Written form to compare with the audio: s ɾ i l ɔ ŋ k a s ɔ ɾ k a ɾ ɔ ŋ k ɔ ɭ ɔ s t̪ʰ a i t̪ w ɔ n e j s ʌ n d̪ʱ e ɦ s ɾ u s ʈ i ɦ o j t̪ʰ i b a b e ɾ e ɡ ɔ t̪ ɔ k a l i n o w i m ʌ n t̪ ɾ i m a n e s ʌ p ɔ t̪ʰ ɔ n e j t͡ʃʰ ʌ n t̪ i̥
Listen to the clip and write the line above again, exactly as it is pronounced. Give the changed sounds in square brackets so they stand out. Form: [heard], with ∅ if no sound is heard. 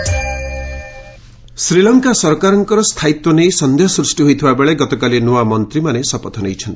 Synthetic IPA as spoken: s ɾ i l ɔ ŋ k a s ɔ ɾ k a ɾ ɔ ŋ k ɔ [ɾ] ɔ s t̪ʰ a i t̪ w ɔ n e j s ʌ n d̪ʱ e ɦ s ɾ u s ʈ i ɦ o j t̪ʰ i b a b e [ɭ] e ɡ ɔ t̪ ɔ k a l i n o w [a] m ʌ n t̪ ɾ i m a n e s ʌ p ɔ t̪ʰ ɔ n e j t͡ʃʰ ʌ n t̪ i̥

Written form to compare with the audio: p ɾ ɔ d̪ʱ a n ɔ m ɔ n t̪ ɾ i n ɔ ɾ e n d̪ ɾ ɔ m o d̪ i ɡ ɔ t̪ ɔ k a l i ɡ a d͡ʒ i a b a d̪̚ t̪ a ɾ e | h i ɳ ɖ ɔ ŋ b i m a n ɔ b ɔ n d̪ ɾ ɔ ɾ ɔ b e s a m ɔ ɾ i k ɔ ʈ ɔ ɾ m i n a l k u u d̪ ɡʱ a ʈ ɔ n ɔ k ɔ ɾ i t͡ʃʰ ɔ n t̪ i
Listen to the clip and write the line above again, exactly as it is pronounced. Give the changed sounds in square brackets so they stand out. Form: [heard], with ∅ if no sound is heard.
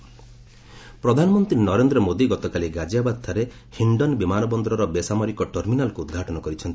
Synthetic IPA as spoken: p ɾ ɔ d̪ʱ a n ɔ m ɔ n t̪ ɾ i n ɔ ɾ e n d̪ ɾ ɔ m o d̪ i ɡ ɔ t̪ ɔ k a l i ɡ a d͡ʒ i a b a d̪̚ [t̪ʰ] a ɾ e | h i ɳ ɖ ɔ [n] b i m a n ɔ b ɔ n d̪ ɾ ɔ ɾ ɔ b e s a m ɔ ɾ i k ɔ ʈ ɔ ɾ m i n a l k u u d̪ ɡʱ a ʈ ɔ n ɔ k ɔ ɾ i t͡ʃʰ ɔ n t̪ i

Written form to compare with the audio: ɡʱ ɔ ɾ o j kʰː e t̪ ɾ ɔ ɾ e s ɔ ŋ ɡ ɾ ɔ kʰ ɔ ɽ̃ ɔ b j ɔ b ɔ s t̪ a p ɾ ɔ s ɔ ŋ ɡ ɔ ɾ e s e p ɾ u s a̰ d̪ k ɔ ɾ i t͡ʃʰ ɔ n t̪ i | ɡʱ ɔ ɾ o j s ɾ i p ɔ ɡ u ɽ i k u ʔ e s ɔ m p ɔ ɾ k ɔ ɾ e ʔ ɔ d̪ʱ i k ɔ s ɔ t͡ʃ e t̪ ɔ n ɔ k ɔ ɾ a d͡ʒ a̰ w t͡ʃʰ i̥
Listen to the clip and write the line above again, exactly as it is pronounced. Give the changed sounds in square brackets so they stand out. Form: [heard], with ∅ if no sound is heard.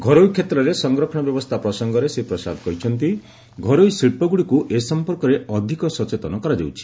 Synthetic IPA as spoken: ɡʱ ɔ ɾ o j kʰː e t̪ ɾ ɔ ɾ e s ɔ ŋ ɡ ɾ ɔ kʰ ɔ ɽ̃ ɔ b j ɔ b ɔ s [t̪ʰ] a p ɾ ɔ s ɔ ŋ ɡ ɔ ɾ e s e p ɾ [ɔ] s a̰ d̪ k ɔ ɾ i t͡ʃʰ ɔ n t̪ i | ɡʱ ɔ ɾ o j s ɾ i p ɔ ɡ u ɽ i k u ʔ e s ɔ m p ɔ ɾ k ɔ ɾ e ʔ ɔ d̪ʱ i k ɔ s ɔ t͡ʃ e t̪ ɔ n ɔ k ɔ ɾ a d͡ʒ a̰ w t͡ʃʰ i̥

